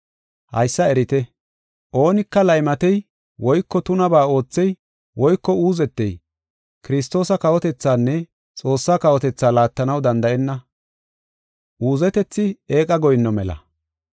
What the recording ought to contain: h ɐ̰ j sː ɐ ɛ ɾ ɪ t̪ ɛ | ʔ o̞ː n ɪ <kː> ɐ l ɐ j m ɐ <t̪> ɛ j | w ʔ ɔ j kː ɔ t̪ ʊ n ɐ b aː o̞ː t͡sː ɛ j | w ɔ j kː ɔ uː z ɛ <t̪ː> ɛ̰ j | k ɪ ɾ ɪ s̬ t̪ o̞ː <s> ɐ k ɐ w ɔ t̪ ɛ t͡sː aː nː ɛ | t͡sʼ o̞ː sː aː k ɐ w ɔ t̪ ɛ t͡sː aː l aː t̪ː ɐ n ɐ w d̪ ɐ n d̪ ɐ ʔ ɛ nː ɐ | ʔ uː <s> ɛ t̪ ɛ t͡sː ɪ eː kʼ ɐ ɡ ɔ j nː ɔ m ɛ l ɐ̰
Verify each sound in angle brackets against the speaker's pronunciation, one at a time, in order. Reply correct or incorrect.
correct, correct, correct, correct, incorrect: z

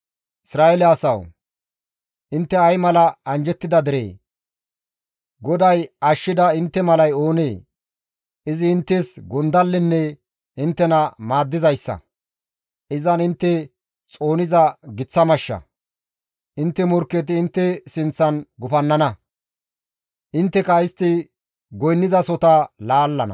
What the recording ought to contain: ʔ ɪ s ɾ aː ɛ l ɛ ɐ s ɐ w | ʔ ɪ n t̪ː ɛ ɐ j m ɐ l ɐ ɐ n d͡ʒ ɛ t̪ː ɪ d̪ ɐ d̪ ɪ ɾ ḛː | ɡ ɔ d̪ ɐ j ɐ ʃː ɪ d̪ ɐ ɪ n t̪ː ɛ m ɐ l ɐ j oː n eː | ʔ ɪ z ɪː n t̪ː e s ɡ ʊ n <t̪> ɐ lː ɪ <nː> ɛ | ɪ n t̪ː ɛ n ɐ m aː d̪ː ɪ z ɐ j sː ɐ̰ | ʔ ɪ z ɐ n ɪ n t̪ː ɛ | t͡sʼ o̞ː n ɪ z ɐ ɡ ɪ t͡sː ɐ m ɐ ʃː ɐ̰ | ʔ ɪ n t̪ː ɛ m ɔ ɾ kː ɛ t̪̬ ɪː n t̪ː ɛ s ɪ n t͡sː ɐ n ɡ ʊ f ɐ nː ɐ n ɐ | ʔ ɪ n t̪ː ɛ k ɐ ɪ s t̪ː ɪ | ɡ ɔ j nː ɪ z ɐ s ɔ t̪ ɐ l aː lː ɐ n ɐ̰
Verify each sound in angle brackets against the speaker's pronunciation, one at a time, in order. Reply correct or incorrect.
incorrect: d̪, correct

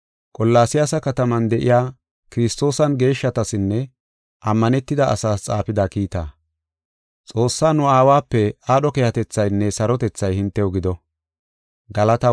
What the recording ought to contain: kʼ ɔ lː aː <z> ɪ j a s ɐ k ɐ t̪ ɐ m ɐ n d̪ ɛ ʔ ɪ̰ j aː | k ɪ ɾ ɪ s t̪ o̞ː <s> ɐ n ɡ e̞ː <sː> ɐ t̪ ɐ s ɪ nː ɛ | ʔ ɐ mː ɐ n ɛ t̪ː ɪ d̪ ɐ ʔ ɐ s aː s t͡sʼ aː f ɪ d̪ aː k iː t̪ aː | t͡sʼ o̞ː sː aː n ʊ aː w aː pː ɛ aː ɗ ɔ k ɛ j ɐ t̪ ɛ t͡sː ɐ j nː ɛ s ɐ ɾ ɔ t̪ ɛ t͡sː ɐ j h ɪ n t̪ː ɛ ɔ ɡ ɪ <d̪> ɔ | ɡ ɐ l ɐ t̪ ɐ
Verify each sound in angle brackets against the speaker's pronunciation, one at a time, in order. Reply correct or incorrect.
incorrect: s, correct, incorrect: ʃː, correct

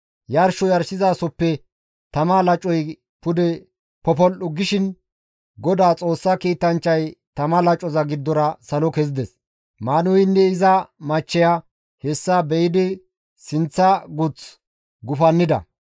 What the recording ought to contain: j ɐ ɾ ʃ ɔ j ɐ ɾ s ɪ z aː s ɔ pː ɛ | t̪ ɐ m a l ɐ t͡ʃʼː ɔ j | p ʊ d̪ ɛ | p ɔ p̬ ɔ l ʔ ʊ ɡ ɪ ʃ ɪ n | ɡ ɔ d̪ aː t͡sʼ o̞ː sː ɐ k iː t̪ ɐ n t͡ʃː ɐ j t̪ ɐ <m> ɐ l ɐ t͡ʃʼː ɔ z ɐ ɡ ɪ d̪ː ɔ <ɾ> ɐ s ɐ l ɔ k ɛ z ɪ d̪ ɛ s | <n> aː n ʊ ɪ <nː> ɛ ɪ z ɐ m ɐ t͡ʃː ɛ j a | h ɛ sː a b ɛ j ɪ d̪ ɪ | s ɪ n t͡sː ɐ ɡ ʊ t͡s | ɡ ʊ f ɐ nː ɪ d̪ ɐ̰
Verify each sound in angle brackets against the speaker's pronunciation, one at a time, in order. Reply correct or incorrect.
correct, correct, incorrect: m, correct

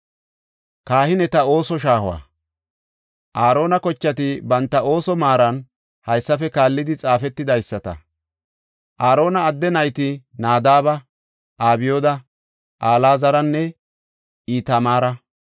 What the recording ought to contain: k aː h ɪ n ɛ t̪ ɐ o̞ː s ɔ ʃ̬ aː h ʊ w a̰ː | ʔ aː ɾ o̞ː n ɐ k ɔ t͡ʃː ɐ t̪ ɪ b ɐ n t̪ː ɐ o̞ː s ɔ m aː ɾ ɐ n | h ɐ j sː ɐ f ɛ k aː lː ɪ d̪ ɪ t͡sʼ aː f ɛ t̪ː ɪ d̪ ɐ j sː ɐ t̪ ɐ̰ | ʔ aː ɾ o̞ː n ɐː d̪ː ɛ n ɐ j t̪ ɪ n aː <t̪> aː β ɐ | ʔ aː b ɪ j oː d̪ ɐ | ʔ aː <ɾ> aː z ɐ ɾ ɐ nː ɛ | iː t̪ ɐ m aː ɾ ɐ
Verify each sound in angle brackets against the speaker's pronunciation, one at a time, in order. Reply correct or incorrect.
incorrect: d̪, incorrect: l

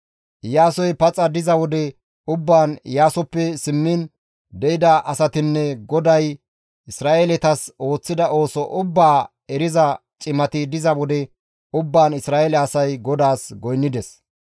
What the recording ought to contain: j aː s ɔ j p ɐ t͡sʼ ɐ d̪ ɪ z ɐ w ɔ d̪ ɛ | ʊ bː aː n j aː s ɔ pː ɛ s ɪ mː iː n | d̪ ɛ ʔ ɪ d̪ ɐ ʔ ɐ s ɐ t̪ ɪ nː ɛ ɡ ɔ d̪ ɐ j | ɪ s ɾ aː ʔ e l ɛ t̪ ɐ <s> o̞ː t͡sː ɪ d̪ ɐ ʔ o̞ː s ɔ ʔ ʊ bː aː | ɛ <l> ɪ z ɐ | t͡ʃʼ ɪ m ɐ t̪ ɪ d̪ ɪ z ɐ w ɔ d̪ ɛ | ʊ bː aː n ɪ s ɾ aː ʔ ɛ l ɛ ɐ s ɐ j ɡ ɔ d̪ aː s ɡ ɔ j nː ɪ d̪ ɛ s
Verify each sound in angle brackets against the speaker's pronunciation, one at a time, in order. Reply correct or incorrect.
correct, incorrect: ɾ

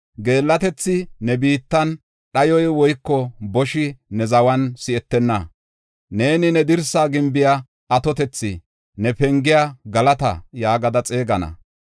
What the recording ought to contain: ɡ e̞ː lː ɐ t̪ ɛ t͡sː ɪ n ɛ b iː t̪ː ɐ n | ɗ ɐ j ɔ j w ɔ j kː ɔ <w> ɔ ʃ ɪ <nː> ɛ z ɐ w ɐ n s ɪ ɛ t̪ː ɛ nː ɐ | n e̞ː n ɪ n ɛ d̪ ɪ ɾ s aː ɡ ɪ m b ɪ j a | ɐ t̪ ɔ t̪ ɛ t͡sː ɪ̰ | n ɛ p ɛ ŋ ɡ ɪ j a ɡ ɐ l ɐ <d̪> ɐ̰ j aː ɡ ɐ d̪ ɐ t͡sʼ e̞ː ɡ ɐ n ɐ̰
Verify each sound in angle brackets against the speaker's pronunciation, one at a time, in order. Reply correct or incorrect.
incorrect: b, incorrect: n, incorrect: t̪

